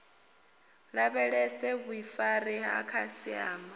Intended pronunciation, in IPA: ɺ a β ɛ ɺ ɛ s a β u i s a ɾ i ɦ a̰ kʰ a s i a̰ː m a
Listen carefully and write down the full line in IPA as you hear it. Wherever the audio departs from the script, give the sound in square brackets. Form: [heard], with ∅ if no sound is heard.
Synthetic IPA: ɺ a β ɛ ɺ ɛ s [ɛ] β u i [f] a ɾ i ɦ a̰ kʰ a s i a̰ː m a